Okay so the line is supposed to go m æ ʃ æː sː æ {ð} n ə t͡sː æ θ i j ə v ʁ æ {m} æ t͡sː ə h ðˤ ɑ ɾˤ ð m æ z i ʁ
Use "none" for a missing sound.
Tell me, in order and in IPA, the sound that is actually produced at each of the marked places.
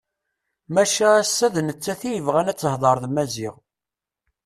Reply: ð, n

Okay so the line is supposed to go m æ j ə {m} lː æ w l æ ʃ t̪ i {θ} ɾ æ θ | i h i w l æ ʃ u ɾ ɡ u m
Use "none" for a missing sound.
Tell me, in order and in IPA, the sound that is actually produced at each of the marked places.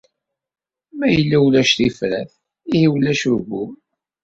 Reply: none, f

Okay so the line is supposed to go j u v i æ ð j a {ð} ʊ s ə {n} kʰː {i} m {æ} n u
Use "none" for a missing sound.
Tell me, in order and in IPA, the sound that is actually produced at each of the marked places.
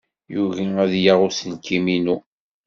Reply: ʁ, n, i, i

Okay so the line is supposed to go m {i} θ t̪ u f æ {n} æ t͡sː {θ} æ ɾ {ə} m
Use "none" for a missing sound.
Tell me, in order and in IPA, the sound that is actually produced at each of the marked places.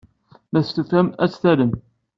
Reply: æ, m, θ, ə

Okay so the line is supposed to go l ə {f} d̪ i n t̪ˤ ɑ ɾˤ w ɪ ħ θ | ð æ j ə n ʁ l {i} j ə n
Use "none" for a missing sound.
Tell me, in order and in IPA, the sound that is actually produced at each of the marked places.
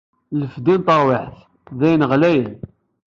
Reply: f, æ

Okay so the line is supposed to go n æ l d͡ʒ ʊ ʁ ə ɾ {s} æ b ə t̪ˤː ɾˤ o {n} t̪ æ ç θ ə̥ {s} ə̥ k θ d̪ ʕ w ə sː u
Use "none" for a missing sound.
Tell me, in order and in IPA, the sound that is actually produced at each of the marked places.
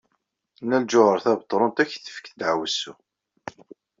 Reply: θ, n, f

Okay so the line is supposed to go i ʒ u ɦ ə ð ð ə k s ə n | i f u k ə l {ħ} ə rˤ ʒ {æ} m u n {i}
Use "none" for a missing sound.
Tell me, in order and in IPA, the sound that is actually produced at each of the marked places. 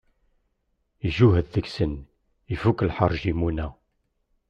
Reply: ħ, i, æ

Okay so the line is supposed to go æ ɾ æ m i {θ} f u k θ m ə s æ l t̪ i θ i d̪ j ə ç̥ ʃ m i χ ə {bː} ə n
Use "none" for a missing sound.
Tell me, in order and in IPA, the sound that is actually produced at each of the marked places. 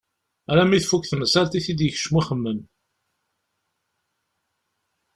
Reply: θ, mː

